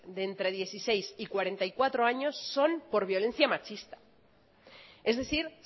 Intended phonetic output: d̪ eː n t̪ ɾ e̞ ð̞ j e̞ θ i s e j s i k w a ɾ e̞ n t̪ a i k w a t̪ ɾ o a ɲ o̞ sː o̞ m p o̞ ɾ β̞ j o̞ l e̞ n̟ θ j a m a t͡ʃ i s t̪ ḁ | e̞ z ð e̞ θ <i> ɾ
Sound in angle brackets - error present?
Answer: no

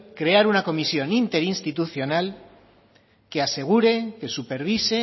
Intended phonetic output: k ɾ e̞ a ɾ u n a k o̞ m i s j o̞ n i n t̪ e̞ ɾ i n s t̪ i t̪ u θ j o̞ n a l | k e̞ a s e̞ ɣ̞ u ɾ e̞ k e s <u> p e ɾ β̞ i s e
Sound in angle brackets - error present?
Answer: no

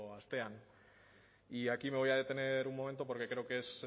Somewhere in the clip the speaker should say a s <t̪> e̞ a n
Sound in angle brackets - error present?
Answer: no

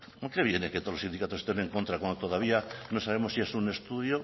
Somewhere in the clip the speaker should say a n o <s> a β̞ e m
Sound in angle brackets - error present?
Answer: no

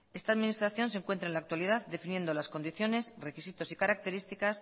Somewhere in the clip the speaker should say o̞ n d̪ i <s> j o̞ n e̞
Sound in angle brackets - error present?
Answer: yes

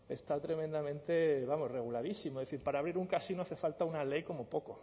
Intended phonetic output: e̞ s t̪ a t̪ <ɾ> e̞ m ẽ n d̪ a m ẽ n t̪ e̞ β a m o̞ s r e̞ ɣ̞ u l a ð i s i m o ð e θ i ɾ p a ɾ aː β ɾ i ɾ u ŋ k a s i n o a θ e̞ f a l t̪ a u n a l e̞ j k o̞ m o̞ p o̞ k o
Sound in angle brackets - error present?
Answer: no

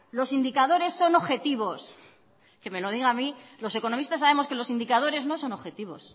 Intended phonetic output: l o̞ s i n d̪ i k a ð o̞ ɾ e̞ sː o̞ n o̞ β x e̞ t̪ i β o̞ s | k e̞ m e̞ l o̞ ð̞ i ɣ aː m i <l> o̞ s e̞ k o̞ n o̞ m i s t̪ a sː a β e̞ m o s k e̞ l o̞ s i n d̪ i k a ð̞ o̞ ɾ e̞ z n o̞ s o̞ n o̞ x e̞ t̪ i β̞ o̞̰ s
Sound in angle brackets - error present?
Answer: no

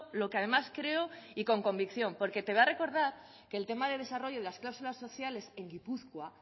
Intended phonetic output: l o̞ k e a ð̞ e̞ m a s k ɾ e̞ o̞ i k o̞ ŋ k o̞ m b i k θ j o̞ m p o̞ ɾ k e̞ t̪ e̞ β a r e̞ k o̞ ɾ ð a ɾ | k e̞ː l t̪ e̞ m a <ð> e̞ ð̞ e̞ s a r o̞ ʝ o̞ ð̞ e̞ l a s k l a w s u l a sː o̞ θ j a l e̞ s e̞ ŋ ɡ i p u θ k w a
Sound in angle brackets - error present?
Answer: no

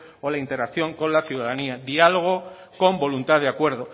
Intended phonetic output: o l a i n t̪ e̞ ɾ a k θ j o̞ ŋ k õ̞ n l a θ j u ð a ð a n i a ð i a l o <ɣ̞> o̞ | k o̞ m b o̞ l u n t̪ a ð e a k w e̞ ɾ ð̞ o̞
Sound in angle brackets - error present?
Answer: no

